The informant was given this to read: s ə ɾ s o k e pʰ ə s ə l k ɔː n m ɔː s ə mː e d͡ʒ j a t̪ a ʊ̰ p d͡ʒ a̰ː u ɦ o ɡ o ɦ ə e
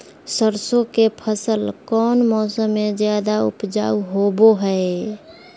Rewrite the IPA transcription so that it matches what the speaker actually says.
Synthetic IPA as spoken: s ə ɾ s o k e pʰ ə s ə l k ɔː n m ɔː s ə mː e d͡ʒ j a d̪ a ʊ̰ p d͡ʒ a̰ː u ɦ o b o ɦ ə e